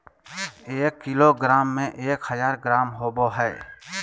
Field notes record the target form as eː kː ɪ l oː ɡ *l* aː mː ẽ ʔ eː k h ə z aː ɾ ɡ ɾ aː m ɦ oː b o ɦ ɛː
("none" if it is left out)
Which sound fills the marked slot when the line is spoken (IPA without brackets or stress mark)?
ɾ